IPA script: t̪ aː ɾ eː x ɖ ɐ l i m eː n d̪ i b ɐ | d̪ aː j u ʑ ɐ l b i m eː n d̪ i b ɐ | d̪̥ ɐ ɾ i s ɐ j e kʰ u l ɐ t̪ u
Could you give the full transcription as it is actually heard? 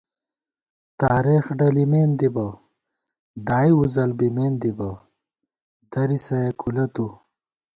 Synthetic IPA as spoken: t̪ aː ɾ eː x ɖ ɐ l i m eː n d̪ i b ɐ | d̪ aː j u z ɐ l b i m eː n d̪ i b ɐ | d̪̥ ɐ ɾ i s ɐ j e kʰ u l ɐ t̪ u